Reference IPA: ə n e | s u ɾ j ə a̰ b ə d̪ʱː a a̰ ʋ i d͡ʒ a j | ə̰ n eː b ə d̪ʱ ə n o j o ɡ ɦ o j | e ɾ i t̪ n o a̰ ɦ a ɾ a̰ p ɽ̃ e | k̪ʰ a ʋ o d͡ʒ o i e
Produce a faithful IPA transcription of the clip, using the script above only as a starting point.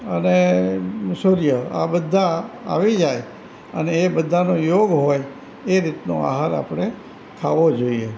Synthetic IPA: ə n e | s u ɾ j ə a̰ b ə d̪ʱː a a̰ ʋ i d͡ʒ a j | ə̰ n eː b ə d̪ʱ a n o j o ɡ ɦ o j | e ɾ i t̪ n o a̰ ɦ a ɾ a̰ p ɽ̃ e | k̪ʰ a ʋ o d͡ʒ o i e